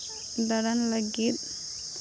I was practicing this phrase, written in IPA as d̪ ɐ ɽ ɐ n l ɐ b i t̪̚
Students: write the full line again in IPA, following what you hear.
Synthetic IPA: d̪ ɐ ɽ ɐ n l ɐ ɡ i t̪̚

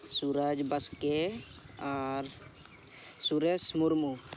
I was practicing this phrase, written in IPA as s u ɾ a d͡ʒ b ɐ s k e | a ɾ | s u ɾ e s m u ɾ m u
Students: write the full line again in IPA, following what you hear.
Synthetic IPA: s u ɾ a d͡ʒ b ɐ s k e | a ɾ | s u ɾ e s m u ɾ m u

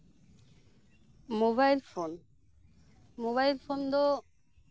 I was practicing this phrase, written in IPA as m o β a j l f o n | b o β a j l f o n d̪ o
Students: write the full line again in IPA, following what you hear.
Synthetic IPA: m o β a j l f o n | m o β a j l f o n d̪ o

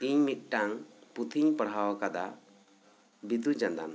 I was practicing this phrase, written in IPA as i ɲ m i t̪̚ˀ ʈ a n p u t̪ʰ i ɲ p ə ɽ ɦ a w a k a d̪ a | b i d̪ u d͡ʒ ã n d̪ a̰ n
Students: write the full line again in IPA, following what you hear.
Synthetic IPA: i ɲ m i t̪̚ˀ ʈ a ŋ p u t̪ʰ i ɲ p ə ɽ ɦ a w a k a d̪ a | b i d̪ u d͡ʒ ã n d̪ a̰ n

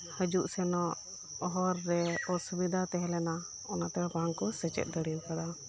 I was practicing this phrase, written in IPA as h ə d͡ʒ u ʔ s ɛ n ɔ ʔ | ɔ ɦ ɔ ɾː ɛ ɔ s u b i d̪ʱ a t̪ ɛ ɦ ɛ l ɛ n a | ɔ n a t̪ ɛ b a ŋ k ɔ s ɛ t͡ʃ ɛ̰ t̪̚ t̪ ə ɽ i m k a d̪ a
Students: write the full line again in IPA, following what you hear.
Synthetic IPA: h ə d͡ʒ u ʔ s ɛ n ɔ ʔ | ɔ ɦ ɔ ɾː ɛ ɔ s u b i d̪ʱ a t̪ ɛ ɦ ɛ l ɛ n a | ɔ n a t̪ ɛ b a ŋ k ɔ s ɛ t͡ʃ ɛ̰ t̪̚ d̪ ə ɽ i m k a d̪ a

